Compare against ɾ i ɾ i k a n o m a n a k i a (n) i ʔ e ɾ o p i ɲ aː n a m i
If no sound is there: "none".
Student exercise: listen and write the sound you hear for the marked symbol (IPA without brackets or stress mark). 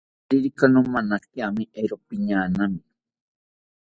m